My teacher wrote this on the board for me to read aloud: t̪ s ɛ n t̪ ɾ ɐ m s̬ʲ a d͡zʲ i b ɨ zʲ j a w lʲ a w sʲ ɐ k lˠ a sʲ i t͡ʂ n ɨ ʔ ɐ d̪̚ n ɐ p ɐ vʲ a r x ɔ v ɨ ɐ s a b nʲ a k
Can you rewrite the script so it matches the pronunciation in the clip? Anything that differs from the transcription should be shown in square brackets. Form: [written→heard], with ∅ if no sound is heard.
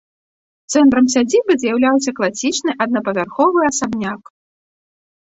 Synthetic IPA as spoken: t̪ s ɛ n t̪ ɾ ɐ m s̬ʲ a d͡zʲ i b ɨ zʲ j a w lʲ a w sʲ ɐ k lˠ a sʲ i t͡ʂ n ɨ ʔ ɐ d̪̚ n ɐ p ɐ vʲ a r x ɔ v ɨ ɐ s a b nʲ a k

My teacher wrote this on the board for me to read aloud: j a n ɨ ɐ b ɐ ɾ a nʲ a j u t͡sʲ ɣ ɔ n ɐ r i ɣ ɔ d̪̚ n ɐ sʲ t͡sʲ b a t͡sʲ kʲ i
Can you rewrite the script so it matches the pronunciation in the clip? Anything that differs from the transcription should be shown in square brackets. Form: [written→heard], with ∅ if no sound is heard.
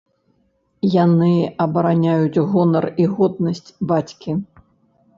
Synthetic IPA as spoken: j a n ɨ ɐ b ɐ ɾ a nʲ a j u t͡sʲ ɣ ɔ n ɐ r i ɣ ɔ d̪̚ n ɐ sʲ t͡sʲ b a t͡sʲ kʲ i

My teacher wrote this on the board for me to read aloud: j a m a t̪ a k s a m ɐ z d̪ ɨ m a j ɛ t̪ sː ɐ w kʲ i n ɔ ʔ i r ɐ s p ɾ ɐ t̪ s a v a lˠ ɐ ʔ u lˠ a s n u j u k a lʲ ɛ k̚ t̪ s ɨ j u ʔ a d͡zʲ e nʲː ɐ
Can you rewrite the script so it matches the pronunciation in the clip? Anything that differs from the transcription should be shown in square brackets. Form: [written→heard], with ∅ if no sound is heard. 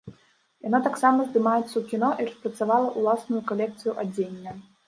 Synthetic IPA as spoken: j a [m→n] a t̪ a k s a m ɐ z d̪ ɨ m a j ɛ t̪ sː ɐ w kʲ i n ɔ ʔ i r ɐ s p ɾ ɐ t̪ s a v a lˠ ɐ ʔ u lˠ a s n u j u k a lʲ ɛ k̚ t̪ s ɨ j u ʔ a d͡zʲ e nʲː ɐ

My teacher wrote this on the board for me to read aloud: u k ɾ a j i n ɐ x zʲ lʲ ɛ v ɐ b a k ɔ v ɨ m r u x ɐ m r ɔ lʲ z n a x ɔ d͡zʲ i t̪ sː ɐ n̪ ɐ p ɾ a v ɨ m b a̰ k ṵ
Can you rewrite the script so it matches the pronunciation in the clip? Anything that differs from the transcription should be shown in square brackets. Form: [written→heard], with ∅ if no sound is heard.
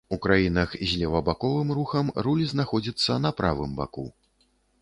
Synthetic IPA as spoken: u k ɾ a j i n ɐ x zʲ lʲ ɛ v ɐ b a k ɔ v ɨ m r u x ɐ m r [ɔ→u] lʲ z n a x ɔ d͡zʲ i t̪ sː ɐ n̪ ɐ p ɾ a v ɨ m b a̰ k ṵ

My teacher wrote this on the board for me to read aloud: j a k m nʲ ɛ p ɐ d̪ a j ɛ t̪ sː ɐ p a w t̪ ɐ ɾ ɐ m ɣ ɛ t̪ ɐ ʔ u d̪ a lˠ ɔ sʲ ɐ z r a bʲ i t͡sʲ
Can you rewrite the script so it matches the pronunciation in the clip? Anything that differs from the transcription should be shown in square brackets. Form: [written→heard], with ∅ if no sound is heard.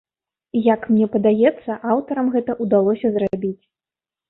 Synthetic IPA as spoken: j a k m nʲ ɛ p ɐ d̪ a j ɛ t̪ sː ɐ [p→ʔ] a w t̪ ɐ ɾ ɐ m ɣ ɛ t̪ ɐ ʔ u d̪ a lˠ ɔ sʲ ɐ z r a bʲ i t͡sʲ

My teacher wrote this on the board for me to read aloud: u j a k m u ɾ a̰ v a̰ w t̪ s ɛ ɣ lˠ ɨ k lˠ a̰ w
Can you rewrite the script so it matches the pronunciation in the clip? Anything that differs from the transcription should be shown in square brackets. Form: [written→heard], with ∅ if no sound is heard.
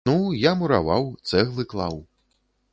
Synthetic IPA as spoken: u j a [k→∅] m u ɾ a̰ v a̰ w t̪ s ɛ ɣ lˠ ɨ k lˠ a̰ w

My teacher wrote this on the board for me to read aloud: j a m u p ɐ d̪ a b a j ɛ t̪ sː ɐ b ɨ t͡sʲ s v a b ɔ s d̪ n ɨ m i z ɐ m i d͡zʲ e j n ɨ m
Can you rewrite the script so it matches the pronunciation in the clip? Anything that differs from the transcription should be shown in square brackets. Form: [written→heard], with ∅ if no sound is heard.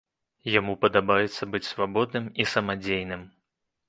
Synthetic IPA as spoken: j a m u p ɐ d̪ a b a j ɛ t̪ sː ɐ b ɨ t͡sʲ s v a b ɔ [s→∅] d̪ n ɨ m i [z→s] ɐ m [i→a] d͡zʲ e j n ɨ m

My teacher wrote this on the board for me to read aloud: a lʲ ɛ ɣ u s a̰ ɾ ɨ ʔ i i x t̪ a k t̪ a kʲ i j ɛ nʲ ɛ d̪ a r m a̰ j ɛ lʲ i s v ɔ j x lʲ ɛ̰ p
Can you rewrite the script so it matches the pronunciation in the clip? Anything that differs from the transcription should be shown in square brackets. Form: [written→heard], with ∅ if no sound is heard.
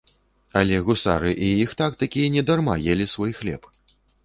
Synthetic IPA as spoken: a lʲ ɛ ɣ u s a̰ ɾ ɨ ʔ i i x t̪ a k t̪ a kʲ i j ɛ nʲ ɛ d̪ a r m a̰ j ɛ lʲ i s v ɔ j x lʲ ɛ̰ p

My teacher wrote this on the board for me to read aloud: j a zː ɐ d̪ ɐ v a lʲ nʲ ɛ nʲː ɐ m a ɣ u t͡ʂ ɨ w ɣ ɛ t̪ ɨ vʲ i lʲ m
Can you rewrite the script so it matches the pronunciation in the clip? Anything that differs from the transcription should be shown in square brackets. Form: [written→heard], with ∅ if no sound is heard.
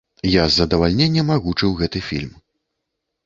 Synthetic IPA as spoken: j a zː ɐ d̪ ɐ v a lʲ nʲ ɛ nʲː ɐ m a ɣ u t͡ʂ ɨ w ɣ ɛ t̪ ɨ [vʲ→fʲ] i lʲ m

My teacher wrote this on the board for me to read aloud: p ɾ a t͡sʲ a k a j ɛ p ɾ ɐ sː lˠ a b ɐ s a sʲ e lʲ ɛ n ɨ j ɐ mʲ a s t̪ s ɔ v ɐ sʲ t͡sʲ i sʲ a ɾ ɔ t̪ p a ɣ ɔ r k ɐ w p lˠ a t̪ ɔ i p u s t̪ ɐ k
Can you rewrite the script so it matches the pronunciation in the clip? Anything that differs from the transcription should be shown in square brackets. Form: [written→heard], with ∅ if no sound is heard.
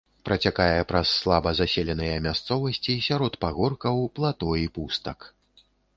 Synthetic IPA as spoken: p ɾ [a→ɐ] t͡sʲ a k a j ɛ p ɾ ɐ sː lˠ a b ɐ [s→z] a sʲ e lʲ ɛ n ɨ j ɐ mʲ a s t̪ s ɔ v ɐ sʲ t͡sʲ i sʲ a ɾ ɔ t̪ p a ɣ ɔ r k ɐ w p lˠ a t̪ ɔ i p u s t̪ ɐ k

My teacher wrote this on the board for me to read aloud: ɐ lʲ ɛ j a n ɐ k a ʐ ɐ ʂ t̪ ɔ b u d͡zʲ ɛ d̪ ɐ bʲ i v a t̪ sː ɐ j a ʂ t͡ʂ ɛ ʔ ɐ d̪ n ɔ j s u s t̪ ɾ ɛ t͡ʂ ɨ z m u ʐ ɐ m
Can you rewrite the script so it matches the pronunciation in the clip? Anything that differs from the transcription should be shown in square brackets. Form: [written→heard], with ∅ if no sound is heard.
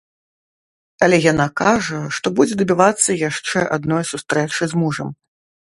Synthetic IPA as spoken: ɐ lʲ ɛ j a n [ɐ→a] k a ʐ ɐ ʂ t̪ ɔ b u d͡zʲ ɛ d̪ ɐ bʲ i v a t̪ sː ɐ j a ʂ t͡ʂ ɛ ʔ [ɐ→a] d̪ n ɔ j s u s t̪ ɾ ɛ t͡ʂ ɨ z m u ʐ ɐ m

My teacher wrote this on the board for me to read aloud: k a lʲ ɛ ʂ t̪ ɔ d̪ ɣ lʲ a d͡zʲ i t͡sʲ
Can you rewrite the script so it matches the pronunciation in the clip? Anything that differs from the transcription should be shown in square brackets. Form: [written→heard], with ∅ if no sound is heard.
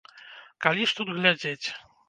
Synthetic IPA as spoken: k a lʲ [ɛ→i] ʂ t̪ [ɔ→u] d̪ ɣ lʲ a d͡zʲ [i→e] t͡sʲ

